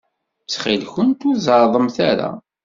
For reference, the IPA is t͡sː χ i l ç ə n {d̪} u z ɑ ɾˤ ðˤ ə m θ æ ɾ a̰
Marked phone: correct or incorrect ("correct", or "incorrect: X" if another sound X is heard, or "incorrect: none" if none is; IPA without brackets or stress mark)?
incorrect: t̪